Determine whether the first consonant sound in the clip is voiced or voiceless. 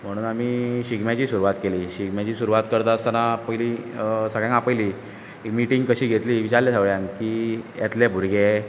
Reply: voiced